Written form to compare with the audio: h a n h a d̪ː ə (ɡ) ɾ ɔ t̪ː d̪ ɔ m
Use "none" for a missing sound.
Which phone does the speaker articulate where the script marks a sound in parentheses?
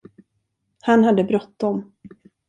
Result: b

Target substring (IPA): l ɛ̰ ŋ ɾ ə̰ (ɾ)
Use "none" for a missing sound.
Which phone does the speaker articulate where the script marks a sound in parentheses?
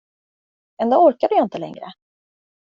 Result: none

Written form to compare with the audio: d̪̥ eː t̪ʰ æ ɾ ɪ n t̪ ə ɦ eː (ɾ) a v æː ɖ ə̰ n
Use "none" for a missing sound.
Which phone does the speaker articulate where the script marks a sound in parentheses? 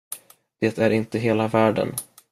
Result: l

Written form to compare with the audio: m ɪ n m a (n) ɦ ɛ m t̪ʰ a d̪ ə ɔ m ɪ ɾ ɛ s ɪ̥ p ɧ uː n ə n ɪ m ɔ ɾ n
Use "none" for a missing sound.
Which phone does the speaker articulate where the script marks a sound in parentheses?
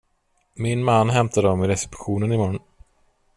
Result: nː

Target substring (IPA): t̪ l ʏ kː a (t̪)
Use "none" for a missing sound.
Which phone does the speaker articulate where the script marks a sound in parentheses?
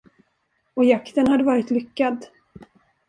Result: d̪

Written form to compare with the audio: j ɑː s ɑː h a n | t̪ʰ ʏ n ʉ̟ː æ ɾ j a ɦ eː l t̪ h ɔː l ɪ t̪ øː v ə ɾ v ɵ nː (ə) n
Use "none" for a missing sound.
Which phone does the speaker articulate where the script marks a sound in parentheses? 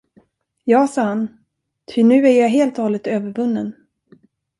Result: ə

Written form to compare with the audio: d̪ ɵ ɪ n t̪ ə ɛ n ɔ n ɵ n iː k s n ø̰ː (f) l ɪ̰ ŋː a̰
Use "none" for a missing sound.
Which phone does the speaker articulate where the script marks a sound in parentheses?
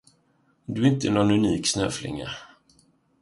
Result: f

